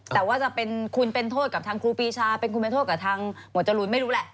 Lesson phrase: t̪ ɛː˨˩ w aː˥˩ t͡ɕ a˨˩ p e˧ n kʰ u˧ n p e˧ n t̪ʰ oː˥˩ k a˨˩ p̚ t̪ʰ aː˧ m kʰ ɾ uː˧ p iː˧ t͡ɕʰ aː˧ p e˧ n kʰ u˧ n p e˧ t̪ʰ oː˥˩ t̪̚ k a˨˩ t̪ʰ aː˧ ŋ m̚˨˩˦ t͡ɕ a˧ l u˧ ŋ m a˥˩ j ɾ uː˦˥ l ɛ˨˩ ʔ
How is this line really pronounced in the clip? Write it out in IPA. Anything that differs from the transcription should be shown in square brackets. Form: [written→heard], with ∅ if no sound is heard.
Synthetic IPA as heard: t̪ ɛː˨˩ w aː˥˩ t͡ɕ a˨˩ p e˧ n kʰ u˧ n p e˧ n t̪ʰ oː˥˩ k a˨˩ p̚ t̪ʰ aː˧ [m→ŋ] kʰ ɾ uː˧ p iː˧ t͡ɕʰ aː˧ p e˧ n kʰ u˧ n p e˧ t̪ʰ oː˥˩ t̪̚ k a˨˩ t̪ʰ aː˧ ŋ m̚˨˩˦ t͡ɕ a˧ l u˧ [ŋ→n] m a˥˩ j ɾ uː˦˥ l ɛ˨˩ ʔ